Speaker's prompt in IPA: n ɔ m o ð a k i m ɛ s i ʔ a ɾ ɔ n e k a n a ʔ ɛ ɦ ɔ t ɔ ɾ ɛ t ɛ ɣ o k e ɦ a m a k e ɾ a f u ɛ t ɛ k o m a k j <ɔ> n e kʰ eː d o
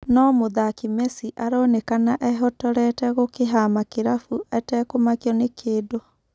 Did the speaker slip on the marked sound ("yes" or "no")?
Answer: no